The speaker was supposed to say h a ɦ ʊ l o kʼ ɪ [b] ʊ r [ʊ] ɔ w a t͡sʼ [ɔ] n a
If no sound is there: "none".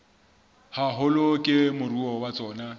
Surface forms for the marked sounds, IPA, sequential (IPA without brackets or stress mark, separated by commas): m, u, ɔː